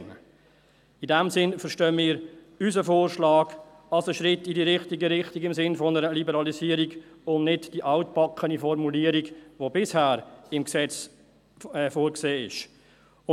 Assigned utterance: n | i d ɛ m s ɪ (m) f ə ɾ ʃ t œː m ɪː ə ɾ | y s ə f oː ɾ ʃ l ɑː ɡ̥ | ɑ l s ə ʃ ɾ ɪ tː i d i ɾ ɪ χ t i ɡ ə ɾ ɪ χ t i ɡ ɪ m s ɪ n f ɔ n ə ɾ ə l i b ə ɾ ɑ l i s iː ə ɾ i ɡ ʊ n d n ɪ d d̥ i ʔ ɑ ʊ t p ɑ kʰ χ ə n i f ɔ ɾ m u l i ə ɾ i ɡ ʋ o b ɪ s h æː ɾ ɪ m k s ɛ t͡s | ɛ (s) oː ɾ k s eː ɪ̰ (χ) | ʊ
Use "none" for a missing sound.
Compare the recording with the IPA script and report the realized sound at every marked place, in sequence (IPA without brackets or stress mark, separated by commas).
n, f, ʃ